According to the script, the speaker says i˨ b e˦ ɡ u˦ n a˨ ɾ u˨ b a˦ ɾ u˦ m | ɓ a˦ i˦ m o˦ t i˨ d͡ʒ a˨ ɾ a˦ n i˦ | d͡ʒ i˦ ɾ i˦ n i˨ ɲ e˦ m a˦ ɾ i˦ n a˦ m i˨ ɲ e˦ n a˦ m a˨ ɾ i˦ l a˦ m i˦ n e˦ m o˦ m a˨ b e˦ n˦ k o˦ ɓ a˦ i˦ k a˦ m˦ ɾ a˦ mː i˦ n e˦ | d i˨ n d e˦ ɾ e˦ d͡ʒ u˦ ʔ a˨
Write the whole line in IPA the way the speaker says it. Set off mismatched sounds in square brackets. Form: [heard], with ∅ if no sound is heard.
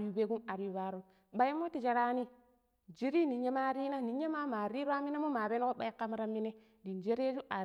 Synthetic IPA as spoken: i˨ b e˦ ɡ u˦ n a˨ ɾ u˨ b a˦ ɾ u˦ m | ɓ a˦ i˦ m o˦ t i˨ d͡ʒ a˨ ɾ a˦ n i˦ | d͡ʒ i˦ ɾ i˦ n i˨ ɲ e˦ m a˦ ɾ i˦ n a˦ [n] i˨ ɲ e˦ [m] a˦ m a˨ ɾ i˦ [ɾ] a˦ m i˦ n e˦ m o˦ m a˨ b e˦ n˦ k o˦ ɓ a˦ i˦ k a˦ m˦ ɾ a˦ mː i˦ n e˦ | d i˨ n [d͡ʒ] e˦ ɾ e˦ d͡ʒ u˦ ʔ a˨